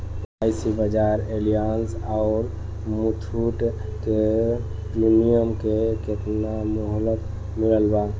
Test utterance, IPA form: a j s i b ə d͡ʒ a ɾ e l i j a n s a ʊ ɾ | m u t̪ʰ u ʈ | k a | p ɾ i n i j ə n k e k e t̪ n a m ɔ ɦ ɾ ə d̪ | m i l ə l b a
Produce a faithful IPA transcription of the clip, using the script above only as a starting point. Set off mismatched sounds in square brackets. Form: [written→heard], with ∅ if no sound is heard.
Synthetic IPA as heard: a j s i b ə d͡ʒ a ɾ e l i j a n s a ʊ ɾ | m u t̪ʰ u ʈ | k [a→e] | p ɾ i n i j ə [n→m] k e k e t̪ n a m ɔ ɦ [ɾ→l] ə [d̪→t̪] | m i l ə l b a